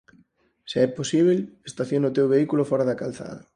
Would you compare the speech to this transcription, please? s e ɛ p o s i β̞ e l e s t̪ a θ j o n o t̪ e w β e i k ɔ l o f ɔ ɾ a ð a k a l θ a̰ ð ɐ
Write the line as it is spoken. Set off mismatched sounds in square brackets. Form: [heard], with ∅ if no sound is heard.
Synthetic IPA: s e ɛ p o s i β̞ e l e s t̪ a θ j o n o t̪ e w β e i k [u] l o f ɔ ɾ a ð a k a l θ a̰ ð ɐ